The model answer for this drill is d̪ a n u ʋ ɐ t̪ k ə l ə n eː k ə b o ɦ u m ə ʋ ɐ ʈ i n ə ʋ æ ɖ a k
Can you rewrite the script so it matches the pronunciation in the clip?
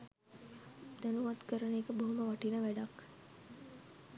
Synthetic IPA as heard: d̪ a n u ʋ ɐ t̪ k ə ɾ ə n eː k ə b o ɦ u m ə ʋ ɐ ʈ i n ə ʋ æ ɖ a k